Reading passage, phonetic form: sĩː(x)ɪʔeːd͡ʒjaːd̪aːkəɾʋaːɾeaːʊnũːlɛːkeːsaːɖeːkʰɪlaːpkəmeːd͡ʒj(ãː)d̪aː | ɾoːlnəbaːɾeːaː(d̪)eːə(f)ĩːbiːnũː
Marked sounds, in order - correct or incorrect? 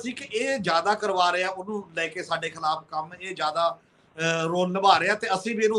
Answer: incorrect: k, incorrect: aː, incorrect: t̪, incorrect: s

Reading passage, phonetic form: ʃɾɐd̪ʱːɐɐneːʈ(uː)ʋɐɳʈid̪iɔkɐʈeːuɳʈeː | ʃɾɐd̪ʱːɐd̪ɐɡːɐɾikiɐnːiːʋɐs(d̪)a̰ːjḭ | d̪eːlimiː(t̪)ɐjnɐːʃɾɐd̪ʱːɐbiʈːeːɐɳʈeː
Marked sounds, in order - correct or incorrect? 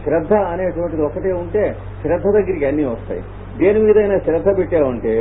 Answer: incorrect: u, incorrect: t̪, incorrect: d̪

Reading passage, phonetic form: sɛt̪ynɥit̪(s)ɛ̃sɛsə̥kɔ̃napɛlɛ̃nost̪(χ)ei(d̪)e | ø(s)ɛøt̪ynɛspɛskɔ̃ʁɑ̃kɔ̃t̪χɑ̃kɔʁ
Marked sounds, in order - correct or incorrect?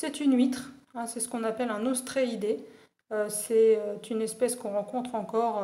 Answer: incorrect: χ, correct, correct, correct

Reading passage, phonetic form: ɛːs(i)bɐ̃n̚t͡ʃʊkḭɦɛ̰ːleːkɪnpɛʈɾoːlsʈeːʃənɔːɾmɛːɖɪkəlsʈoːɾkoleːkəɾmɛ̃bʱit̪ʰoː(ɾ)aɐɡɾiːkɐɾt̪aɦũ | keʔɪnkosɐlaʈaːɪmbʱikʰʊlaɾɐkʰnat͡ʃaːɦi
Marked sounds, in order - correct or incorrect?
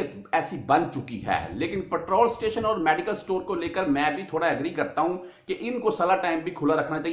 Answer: correct, incorrect: ɽ

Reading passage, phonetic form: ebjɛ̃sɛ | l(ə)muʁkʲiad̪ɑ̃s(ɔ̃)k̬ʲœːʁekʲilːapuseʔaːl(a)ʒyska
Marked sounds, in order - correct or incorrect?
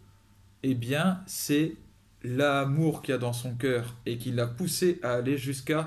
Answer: incorrect: a, correct, incorrect: e

